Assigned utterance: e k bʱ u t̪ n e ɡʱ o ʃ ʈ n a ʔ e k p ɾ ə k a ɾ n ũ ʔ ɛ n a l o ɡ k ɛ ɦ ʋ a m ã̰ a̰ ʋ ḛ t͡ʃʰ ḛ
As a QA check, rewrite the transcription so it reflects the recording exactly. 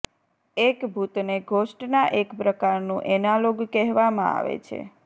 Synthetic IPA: e k bʱ u t̪ n e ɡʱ o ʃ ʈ n a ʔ e k p ɾ ə k a ɾ n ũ ʔ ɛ n a l o ɡ k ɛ ɦ ʋ a m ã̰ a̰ ʋ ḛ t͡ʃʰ ḛ